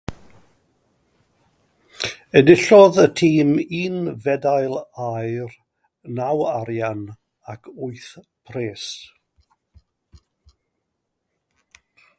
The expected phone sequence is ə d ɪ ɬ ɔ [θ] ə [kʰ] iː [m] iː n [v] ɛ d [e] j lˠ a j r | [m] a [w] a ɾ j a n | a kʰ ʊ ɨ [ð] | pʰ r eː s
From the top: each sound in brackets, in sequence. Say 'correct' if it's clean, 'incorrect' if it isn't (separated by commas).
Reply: incorrect, incorrect, correct, correct, incorrect, incorrect, correct, incorrect